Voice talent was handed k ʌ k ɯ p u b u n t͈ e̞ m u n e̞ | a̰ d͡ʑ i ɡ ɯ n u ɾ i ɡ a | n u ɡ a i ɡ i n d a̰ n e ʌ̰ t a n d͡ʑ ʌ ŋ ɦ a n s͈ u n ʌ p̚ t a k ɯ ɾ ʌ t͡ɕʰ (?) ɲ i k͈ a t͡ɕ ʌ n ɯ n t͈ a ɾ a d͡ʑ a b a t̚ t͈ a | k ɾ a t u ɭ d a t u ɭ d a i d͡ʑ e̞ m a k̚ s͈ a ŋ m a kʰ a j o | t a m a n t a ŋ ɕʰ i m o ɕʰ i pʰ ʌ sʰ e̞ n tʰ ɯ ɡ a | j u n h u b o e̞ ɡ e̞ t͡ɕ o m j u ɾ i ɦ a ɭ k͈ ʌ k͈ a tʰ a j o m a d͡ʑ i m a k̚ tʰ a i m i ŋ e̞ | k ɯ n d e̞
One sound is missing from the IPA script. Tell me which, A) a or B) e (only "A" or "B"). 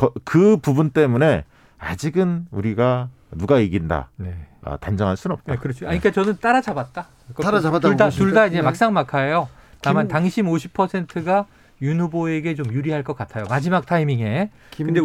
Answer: A